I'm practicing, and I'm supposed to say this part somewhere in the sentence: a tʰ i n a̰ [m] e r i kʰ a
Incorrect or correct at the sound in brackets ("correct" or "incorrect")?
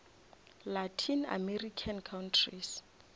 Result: correct